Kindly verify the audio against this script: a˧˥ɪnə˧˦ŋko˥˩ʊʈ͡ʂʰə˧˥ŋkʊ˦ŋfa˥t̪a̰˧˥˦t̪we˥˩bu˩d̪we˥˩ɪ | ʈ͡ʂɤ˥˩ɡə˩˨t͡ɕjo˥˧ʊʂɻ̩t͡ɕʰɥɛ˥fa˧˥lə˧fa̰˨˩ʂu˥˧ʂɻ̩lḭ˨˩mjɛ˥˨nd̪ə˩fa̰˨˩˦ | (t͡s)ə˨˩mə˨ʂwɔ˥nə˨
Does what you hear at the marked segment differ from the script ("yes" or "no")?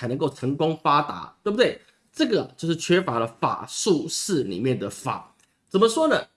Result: no